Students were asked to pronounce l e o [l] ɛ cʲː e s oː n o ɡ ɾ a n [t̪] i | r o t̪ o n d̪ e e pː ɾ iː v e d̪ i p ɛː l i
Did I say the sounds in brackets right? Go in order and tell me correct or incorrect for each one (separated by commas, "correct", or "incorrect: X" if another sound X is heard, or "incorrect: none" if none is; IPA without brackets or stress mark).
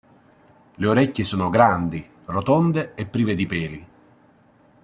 incorrect: ɾ, incorrect: d̪